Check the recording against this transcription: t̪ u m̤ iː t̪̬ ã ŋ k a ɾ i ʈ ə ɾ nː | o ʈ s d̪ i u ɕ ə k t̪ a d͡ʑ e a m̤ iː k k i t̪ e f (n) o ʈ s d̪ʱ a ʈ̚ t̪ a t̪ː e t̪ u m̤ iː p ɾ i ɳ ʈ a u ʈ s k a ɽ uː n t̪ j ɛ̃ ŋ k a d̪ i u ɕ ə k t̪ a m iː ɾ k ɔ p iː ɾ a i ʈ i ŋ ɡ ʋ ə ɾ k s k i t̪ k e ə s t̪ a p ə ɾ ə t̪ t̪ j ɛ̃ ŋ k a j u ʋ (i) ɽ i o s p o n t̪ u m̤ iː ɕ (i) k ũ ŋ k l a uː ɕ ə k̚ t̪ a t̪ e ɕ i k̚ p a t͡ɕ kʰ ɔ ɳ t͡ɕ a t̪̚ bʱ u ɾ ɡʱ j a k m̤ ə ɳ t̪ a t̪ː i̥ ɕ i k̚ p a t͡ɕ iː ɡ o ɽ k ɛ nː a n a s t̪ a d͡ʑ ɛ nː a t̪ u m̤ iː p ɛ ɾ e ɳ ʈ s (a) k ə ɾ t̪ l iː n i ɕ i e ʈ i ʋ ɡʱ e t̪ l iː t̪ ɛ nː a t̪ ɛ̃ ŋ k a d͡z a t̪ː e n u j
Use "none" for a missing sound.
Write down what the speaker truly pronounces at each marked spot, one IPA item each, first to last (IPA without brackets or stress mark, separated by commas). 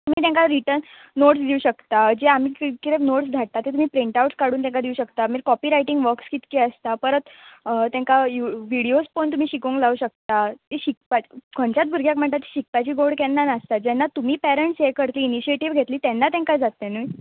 n, i, i, e